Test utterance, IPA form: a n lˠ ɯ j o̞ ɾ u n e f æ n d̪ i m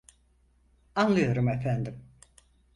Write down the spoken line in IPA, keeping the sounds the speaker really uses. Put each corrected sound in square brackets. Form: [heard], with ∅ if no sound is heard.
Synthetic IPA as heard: a n lˠ ɯ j o̞ ɾ u [m] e f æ n d̪ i m